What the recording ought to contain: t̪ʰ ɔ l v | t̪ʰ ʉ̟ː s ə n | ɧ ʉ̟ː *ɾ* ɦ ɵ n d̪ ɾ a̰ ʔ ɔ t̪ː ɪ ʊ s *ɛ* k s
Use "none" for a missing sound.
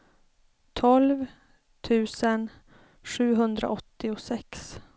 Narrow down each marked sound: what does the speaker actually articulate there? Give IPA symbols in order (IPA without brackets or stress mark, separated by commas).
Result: none, ɛ